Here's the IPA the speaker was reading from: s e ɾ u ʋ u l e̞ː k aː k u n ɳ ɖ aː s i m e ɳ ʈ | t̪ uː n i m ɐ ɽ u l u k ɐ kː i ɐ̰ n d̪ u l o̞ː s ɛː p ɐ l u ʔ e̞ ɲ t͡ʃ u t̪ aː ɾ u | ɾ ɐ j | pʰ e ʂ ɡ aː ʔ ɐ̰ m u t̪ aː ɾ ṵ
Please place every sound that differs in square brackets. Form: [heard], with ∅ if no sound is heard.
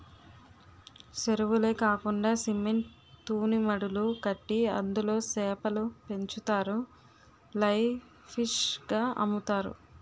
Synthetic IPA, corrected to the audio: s e ɾ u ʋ u l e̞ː k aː k u [∅] ɳ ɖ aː s i m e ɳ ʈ | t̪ uː n i m ɐ ɽ u l u k ɐ [ʈː] i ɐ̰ n d̪ u l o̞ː s ɛː p ɐ l u [p] e̞ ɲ t͡ʃ u t̪ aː ɾ u | [l] ɐ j | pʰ [i] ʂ ɡ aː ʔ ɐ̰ m u t̪ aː ɾ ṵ